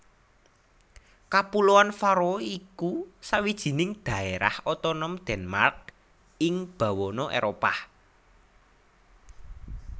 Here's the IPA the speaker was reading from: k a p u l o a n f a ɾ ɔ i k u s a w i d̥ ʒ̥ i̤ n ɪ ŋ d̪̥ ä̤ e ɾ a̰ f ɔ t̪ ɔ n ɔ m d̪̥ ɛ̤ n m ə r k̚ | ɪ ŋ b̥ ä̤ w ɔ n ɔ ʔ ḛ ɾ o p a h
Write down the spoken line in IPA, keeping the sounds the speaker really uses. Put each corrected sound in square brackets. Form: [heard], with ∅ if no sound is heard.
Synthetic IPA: k a p u l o a n f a ɾ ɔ i k u s a w i d̥ ʒ̥ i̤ n ɪ ŋ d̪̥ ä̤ e ɾ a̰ [h] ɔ t̪ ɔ n ɔ m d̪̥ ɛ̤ n m [a] r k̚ | ɪ ŋ b̥ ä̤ w ɔ n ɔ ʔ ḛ ɾ o p a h